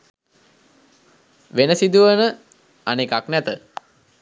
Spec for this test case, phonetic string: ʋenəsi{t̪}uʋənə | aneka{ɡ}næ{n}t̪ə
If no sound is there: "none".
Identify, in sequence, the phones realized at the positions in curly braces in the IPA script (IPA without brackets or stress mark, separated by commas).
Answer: d̪, k, none